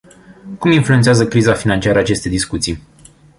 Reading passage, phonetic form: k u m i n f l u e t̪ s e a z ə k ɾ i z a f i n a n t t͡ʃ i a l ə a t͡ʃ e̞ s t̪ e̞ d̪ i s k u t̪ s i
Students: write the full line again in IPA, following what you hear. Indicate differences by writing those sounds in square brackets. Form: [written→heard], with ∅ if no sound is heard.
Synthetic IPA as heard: k u m i n f l u e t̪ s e a z ə k ɾ i z a f i n a n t t͡ʃ i a [l→ɾ] ə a t͡ʃ e̞ s t̪ e̞ d̪ i s k u t̪ s i